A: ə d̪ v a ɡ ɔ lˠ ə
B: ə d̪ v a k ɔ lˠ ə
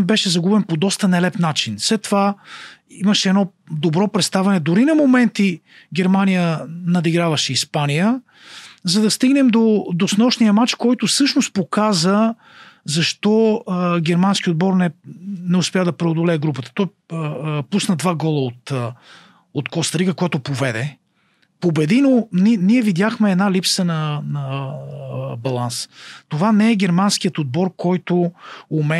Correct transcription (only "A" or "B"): A